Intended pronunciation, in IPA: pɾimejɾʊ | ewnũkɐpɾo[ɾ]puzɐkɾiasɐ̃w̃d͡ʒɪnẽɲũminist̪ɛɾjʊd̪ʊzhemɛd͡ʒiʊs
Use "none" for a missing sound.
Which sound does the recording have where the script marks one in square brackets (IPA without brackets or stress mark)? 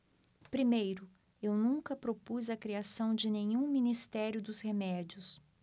none